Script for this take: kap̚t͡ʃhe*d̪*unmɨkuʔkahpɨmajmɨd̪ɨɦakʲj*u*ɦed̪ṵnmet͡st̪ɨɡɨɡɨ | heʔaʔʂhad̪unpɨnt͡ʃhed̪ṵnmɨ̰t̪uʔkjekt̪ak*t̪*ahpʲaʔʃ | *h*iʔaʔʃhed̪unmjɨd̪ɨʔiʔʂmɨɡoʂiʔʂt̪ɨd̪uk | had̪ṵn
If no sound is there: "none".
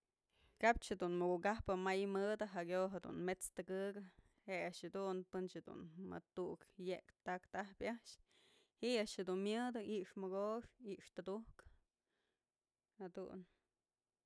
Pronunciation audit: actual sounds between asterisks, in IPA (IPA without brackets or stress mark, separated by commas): d̪, o, t̪, h